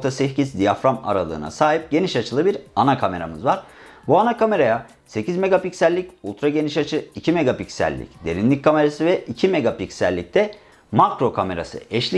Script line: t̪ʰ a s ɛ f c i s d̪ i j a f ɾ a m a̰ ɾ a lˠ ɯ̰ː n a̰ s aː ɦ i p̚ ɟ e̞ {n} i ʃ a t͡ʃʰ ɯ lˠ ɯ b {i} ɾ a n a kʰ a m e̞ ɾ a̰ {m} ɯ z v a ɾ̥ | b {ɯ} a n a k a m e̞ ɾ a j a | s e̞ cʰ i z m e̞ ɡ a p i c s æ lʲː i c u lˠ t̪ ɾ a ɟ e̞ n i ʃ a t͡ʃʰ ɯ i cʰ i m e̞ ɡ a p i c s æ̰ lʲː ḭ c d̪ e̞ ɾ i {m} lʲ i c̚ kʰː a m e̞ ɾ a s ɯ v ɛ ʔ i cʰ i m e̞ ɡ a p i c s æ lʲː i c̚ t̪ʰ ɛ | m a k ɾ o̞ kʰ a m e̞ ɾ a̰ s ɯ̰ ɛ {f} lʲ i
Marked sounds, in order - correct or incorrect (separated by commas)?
correct, correct, correct, incorrect, incorrect, incorrect